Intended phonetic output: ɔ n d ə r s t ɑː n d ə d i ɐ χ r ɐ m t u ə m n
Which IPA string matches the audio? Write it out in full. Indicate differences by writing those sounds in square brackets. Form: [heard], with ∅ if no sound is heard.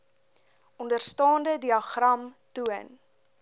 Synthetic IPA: ɔ n d ə r s t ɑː n d ə d i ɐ χ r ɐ m t u ə [∅] n